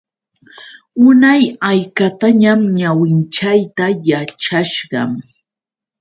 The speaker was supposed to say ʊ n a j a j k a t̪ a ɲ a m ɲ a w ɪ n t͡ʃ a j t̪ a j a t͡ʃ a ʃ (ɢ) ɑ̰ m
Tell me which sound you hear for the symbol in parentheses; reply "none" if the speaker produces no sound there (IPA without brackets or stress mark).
ɢ